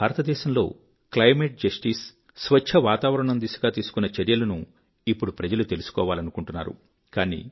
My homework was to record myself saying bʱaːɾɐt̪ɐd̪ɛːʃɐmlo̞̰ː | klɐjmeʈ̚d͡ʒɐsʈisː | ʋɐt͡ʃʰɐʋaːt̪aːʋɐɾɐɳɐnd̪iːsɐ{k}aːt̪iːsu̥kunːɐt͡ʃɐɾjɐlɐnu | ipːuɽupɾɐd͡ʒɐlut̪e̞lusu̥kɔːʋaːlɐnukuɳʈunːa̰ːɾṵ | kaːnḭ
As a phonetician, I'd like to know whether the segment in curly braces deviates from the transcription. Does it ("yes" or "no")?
yes